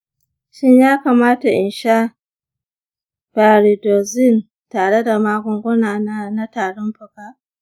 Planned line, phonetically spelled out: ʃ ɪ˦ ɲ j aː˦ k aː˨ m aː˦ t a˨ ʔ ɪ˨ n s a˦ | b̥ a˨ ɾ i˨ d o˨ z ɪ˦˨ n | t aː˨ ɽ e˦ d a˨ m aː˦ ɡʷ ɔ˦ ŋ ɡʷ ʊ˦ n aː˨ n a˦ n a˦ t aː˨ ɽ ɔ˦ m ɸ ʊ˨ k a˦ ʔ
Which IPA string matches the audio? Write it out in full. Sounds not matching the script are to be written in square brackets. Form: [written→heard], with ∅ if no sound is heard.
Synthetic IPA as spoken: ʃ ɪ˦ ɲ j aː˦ k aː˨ m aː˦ t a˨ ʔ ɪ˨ n [s→ʃ] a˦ | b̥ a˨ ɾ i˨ d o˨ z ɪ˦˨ n | t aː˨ ɽ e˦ d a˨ m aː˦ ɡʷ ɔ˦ ŋ ɡʷ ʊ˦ n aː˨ n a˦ n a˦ t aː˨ ɽ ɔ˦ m ɸ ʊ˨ k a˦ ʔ